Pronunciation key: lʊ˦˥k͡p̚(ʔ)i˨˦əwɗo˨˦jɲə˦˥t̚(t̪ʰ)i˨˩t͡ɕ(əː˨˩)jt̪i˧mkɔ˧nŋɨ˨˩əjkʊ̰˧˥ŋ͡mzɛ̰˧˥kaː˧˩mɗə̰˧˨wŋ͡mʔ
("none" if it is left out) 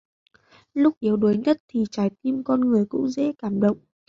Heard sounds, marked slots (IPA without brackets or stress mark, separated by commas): ʔ, t̪ʰ, aː˨˩